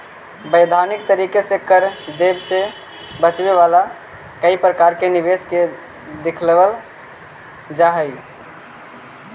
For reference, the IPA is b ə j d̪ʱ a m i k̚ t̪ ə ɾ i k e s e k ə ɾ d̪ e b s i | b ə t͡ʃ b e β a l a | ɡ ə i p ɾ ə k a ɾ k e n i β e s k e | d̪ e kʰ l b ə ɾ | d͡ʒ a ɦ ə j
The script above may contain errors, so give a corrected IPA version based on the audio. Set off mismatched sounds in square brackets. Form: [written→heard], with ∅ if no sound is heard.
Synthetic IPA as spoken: b ə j d̪ʱ a [m→n] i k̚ t̪ ə ɾ i k e s e k ə ɾ d̪ e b s [i→e] | b ə t͡ʃ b e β a l a | [ɡ→k] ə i p ɾ ə k a ɾ k e n i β e s k e | d̪ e kʰ l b ə [ɾ→l] | d͡ʒ a ɦ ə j

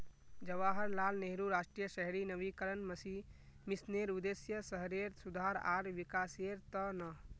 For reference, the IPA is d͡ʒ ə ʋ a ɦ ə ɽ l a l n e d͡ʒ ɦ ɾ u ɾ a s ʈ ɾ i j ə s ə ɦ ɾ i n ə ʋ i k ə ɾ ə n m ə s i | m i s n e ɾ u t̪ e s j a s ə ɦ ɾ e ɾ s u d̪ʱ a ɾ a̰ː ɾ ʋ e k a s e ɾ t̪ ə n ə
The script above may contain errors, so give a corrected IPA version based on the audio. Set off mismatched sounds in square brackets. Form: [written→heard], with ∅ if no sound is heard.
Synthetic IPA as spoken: d͡ʒ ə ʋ a ɦ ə [ɽ→ɾ] l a l n e [d͡ʒ→∅] ɦ ɾ u ɾ a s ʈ ɾ i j ə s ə ɦ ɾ i n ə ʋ i k ə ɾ ə n m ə s i | m i s n e ɾ u [t̪→d̪] e s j [a→ə] s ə ɦ ɾ e ɾ s u d̪ʱ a ɾ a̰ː ɾ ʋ [e→i] k a s e ɾ t̪ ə n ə

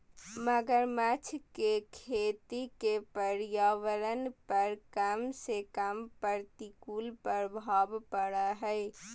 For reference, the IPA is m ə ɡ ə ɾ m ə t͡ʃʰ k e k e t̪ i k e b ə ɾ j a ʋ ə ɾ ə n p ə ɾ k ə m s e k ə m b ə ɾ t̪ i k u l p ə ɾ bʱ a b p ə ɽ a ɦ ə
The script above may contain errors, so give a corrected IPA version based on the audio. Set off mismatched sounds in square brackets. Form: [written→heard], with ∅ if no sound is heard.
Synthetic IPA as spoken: m ə ɡ ə ɾ m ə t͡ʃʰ k e [k→kʰ] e t̪ i k e [b→p] ə ɾ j a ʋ ə ɾ ə n p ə ɾ k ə m s e k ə m [b→p] ə ɾ t̪ i k u l p ə ɾ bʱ a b p ə ɽ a ɦ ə

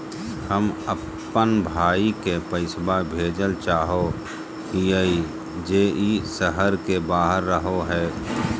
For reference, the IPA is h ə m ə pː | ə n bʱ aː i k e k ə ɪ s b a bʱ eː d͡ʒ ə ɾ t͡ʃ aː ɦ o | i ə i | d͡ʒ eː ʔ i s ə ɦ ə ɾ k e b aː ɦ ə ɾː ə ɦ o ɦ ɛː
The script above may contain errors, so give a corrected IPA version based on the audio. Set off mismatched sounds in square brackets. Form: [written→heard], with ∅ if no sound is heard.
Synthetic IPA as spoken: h ə m ə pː | ə n bʱ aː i k e [k→p] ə ɪ s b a bʱ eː d͡ʒ ə [ɾ→l] t͡ʃ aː ɦ o | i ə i | d͡ʒ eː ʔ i s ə ɦ ə ɾ k e b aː ɦ ə ɾː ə ɦ o ɦ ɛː

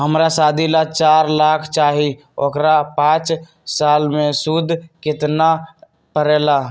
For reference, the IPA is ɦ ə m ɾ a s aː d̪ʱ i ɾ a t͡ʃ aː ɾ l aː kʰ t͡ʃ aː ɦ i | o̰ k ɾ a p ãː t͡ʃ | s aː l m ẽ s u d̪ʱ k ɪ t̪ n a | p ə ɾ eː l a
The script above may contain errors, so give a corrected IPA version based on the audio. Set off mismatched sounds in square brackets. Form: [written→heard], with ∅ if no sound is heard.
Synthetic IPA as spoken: ɦ ə m ɾ a s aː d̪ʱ i [ɾ→l] a t͡ʃ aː ɾ l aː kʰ t͡ʃ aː ɦ i | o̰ k ɾ a p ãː t͡ʃ | s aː l m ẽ s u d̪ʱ k ɪ t̪ n a | p ə ɾ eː l a

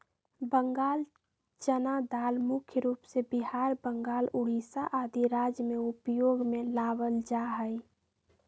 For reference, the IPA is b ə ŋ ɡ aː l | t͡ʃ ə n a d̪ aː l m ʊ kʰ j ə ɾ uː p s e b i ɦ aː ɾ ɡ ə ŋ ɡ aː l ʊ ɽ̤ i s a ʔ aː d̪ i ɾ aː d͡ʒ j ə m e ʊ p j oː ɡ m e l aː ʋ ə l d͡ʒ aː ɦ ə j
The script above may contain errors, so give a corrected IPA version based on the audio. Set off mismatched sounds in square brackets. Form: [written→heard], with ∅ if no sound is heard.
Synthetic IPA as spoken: b ə ŋ ɡ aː l | t͡ʃ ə n a d̪ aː l m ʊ kʰ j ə ɾ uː p s e b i ɦ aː ɾ [ɡ→b] ə ŋ ɡ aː l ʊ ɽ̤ i s a ʔ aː d̪ i ɾ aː d͡ʒ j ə m e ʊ p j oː ɡ m e l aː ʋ ə l d͡ʒ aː ɦ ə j

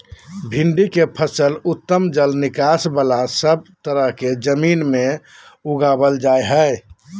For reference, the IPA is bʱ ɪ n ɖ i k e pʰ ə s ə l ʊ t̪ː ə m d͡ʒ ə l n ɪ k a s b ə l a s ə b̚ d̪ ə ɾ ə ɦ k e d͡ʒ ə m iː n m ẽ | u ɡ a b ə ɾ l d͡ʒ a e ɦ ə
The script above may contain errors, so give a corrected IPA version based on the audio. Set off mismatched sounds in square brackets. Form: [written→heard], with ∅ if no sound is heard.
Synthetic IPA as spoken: bʱ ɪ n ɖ i k e pʰ ə s ə l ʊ t̪ː ə m d͡ʒ ə l n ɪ k a s b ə l a s ə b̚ [d̪→t̪] ə ɾ ə ɦ k e d͡ʒ ə m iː n m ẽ | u ɡ a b ə [ɾ→∅] l d͡ʒ a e ɦ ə

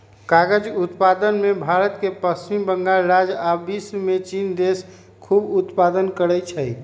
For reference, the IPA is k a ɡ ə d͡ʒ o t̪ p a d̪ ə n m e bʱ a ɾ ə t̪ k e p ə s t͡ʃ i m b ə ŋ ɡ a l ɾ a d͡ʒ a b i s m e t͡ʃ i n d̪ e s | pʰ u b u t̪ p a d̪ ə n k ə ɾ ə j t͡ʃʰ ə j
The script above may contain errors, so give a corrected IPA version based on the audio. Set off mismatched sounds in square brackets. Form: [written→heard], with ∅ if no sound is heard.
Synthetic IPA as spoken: k a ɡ ə d͡ʒ [o→u] t̪ p a d̪ ə n m e bʱ a ɾ ə t̪ k e p ə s t͡ʃ i m b ə ŋ ɡ a l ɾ a d͡ʒ a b i s m e t͡ʃ i n d̪ e s | [pʰ→kʰ] u b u t̪ p a d̪ ə n k ə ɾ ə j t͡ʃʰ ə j

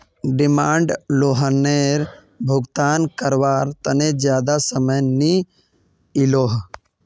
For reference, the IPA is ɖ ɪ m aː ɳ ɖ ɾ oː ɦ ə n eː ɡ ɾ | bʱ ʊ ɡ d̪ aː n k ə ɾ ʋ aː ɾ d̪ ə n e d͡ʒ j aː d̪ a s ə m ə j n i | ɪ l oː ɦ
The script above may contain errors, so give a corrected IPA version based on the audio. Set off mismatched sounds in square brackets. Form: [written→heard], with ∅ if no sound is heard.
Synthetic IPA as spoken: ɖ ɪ m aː ɳ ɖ [ɾ→l] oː ɦ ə n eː [ɡ→∅] ɾ | bʱ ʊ ɡ [d̪→t̪] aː n k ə ɾ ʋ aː ɾ [d̪→t̪] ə n e d͡ʒ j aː d̪ a s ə m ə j n i | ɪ l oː ɦ

